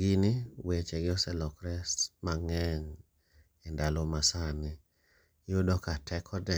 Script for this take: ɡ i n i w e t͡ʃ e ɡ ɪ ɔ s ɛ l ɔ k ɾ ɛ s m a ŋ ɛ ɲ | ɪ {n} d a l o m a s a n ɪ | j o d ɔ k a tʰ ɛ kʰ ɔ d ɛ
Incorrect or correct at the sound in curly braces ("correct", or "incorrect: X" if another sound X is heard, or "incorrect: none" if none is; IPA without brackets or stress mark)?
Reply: correct